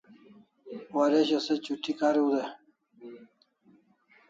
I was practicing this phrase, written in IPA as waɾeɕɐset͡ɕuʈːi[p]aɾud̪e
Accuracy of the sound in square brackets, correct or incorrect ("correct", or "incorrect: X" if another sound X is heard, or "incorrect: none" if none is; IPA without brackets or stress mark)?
incorrect: k